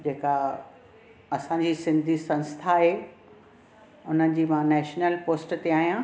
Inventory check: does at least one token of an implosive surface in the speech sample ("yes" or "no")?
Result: no